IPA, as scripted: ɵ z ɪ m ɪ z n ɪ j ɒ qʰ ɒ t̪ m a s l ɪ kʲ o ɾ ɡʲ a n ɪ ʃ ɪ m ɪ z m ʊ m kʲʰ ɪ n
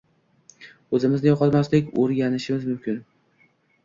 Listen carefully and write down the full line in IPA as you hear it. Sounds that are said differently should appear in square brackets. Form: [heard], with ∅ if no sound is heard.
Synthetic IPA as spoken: ɵ z ɪ m ɪ z n ɪ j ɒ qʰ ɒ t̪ m a s l ɪ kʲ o ɾ ɡʲ a n ɪ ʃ ɪ m ɪ z m ʊ m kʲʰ ɪ n